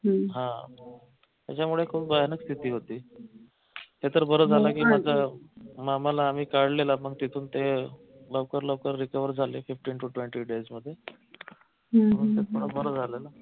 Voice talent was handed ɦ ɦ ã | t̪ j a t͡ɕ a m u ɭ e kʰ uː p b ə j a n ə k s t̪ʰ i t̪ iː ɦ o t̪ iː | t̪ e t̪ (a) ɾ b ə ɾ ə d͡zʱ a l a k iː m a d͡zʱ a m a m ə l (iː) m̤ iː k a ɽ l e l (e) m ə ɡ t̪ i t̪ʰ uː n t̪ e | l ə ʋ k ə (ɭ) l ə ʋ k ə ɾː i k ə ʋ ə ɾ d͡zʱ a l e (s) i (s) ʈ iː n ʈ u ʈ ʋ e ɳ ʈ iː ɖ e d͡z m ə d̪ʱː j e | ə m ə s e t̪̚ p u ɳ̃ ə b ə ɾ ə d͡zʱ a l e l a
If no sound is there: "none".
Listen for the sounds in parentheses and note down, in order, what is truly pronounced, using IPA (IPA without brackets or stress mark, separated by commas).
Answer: ə, aː, a, ɾ, f, f